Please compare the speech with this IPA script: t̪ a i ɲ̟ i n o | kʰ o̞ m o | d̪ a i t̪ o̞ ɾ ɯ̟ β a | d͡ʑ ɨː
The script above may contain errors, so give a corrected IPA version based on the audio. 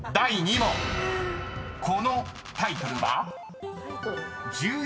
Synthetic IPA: d̪ a i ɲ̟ i m o | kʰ o̞ n o | t̪ a i t̪ o̞ ɾ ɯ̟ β a | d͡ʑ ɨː